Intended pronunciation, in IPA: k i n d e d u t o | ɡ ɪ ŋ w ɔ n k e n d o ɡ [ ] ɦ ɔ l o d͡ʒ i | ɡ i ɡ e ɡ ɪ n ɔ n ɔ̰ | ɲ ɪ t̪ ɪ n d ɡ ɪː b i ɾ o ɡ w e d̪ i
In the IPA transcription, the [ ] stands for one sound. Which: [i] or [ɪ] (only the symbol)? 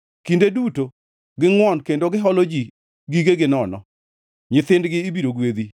ɪ